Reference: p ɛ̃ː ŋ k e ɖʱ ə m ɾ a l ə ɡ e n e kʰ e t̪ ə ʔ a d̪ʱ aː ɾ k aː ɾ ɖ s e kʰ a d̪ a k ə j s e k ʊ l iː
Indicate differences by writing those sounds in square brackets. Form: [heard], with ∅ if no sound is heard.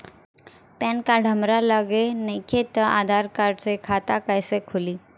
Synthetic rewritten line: p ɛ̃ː [n] k [a] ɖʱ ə m ɾ a l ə ɡ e n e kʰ e t̪ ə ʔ a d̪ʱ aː ɾ k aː ɾ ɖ s e kʰ a [t̪] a k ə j s e [kʰ] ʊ l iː